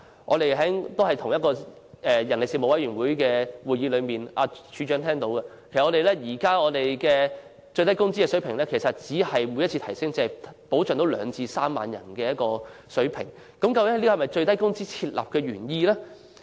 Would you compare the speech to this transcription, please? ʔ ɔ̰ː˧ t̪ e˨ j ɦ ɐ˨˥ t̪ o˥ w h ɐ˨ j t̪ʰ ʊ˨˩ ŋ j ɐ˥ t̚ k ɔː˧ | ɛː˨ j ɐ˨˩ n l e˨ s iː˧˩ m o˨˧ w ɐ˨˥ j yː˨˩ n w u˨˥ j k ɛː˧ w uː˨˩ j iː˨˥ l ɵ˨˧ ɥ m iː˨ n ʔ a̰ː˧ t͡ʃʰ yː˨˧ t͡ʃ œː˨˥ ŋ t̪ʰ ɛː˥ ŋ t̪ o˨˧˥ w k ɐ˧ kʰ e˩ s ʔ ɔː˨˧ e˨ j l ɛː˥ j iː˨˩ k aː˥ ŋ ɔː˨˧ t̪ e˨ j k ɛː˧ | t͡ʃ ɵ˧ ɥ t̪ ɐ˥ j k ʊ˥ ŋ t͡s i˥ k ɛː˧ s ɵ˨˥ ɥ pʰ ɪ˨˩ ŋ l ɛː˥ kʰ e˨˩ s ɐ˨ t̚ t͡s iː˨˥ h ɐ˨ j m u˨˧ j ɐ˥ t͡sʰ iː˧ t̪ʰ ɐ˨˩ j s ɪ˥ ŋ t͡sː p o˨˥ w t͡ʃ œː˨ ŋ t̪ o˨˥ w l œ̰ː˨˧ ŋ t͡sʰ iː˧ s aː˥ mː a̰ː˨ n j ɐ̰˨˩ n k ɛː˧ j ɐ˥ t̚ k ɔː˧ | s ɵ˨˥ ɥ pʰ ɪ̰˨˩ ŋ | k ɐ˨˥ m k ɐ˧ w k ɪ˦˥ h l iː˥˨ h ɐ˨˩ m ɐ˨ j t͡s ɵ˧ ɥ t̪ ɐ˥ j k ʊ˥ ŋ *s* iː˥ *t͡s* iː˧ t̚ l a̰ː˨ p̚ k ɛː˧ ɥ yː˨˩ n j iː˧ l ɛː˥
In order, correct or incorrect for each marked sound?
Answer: incorrect: t͡s, incorrect: t͡sʰ

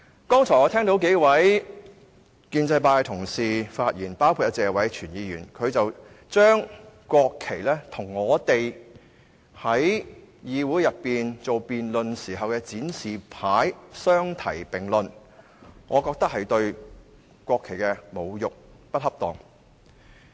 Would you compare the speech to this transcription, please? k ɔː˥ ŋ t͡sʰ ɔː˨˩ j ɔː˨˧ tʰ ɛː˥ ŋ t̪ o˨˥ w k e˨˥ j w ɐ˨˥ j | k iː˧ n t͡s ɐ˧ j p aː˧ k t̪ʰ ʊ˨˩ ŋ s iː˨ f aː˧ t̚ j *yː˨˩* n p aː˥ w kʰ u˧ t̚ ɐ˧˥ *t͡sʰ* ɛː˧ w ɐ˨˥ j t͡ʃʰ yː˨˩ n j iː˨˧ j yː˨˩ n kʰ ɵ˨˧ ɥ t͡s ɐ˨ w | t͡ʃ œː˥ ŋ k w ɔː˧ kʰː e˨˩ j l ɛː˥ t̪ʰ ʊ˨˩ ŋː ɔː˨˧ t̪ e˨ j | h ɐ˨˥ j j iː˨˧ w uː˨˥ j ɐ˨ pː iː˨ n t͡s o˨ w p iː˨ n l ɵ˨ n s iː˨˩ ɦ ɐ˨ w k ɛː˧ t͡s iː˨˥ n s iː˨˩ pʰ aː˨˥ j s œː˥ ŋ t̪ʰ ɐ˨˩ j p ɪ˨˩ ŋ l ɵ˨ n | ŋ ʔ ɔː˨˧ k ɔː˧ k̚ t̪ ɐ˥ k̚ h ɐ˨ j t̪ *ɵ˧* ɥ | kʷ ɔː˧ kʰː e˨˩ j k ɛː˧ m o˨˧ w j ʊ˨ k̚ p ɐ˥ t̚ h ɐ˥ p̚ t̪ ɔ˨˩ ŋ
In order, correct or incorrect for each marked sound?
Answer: incorrect: iː˨˩, incorrect: t͡s, correct

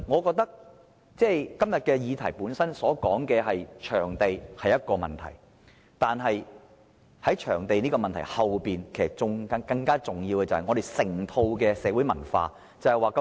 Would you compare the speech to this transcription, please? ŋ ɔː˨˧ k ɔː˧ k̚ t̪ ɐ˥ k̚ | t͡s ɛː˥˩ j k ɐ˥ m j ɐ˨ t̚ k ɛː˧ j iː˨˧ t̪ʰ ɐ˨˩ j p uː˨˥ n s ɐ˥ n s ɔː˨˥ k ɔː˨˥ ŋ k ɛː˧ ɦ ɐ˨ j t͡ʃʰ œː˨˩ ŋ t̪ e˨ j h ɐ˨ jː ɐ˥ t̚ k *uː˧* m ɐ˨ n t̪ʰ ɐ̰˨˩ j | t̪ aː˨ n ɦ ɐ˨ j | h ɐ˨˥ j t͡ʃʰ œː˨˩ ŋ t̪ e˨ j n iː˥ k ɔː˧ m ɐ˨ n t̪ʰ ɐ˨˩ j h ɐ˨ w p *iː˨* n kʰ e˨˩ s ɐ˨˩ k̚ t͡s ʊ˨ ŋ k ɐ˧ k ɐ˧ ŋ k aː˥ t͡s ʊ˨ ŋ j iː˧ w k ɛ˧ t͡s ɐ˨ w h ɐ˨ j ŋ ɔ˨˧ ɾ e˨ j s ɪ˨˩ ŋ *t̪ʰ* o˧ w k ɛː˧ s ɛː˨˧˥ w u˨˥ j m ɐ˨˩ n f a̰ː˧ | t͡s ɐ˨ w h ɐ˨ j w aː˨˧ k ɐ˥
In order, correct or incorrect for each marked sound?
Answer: incorrect: ɔː˧, correct, correct

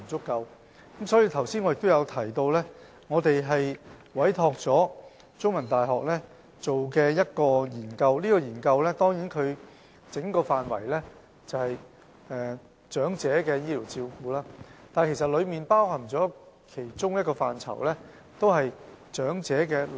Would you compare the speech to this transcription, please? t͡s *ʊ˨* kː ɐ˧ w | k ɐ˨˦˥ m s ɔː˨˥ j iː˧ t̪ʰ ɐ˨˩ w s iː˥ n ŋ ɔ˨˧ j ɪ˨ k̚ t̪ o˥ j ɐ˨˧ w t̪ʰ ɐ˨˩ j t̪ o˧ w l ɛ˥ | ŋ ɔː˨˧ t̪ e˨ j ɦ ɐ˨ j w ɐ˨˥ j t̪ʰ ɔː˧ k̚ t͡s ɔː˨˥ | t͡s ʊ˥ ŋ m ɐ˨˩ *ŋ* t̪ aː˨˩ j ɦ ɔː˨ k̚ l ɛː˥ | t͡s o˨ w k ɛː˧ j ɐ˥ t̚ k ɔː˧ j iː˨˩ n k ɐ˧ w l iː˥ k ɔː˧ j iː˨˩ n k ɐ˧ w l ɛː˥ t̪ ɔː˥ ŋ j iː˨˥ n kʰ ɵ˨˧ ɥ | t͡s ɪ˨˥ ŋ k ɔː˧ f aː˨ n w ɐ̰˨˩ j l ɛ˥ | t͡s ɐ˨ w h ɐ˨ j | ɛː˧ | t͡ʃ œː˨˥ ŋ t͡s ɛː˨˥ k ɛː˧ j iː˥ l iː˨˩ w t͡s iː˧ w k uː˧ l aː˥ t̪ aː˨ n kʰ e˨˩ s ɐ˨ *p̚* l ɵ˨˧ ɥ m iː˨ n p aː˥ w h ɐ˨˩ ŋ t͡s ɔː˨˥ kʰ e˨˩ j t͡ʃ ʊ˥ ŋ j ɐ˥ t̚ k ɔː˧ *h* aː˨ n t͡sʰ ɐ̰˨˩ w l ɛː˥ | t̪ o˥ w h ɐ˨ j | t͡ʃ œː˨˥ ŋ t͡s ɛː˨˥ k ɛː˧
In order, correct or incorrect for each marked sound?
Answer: incorrect: ʊ˥, incorrect: n, incorrect: t̚, incorrect: f

